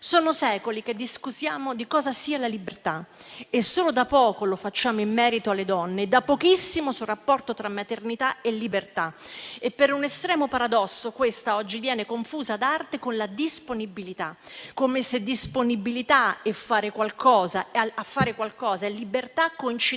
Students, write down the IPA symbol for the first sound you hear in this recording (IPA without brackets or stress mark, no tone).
s